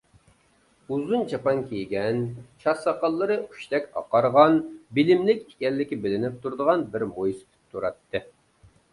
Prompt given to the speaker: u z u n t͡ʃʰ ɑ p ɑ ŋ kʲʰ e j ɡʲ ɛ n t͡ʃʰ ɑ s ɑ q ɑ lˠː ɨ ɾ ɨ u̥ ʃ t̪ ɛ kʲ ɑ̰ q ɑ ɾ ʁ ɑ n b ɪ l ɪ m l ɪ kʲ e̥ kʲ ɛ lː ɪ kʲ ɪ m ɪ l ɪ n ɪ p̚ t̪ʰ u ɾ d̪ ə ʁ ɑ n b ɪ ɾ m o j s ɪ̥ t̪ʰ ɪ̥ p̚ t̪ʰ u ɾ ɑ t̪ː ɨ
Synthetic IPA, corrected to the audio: u z u n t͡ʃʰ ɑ p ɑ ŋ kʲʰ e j ɡʲ ɛ n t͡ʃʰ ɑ s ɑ q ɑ lˠː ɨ ɾ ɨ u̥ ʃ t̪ ɛ kʲ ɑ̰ q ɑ ɾ ʁ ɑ n b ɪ l ɪ m l ɪ kʲ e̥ kʲ ɛ lː ɪ kʲ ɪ b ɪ l ɪ n ɪ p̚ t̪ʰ u ɾ d̪ ə ʁ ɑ n b ɪ ɾ m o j s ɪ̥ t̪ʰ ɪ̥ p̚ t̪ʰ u ɾ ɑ t̪ː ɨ